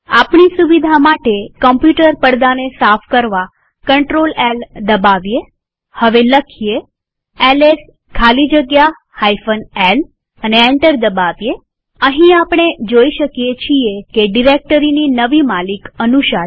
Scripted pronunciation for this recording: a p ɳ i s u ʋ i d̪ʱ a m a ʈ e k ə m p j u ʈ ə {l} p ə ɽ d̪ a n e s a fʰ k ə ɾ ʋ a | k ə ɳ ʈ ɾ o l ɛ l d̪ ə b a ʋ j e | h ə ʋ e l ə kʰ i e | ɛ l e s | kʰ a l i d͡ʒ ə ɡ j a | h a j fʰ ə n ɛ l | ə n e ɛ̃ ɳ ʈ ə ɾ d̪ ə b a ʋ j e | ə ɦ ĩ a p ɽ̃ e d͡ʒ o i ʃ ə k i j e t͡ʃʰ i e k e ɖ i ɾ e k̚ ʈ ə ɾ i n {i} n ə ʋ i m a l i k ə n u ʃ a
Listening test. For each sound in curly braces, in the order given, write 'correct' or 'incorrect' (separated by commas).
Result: incorrect, correct